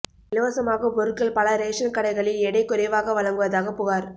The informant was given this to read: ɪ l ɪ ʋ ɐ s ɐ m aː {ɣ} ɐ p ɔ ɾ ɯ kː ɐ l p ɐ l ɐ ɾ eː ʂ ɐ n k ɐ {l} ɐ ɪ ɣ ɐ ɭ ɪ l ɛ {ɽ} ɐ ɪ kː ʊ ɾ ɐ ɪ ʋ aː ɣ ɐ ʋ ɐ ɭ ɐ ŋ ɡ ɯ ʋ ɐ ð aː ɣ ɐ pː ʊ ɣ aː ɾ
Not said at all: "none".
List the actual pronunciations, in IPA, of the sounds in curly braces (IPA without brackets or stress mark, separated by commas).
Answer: ɣ, ɽ, ɽ